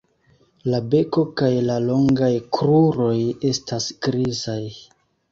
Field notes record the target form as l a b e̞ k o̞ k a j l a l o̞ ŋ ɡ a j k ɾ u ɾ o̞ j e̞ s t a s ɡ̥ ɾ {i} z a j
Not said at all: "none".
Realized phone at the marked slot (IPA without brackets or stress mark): i